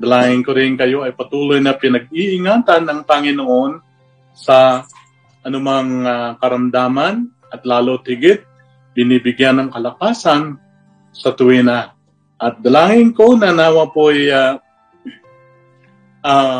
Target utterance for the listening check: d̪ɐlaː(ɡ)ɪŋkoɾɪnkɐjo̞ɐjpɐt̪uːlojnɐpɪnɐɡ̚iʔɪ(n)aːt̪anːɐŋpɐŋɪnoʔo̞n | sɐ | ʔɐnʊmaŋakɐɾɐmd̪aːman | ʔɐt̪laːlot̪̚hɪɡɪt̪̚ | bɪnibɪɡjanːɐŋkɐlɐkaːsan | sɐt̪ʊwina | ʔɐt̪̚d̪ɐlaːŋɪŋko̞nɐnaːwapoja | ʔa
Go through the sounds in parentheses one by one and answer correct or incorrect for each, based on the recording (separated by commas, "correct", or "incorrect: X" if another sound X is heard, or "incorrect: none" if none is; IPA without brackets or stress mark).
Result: incorrect: ŋ, incorrect: ŋ